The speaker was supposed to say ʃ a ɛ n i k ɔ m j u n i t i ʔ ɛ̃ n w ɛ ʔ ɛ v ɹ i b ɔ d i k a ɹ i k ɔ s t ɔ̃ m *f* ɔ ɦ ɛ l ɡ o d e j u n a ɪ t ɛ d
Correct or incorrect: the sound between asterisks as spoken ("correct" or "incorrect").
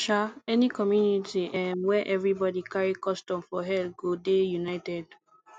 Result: correct